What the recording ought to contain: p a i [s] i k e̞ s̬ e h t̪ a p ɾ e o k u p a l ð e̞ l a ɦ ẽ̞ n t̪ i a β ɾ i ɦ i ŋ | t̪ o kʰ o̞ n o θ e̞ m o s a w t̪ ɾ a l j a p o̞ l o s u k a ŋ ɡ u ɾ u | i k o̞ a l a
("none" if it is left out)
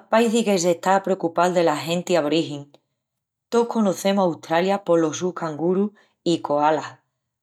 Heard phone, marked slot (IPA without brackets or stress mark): θ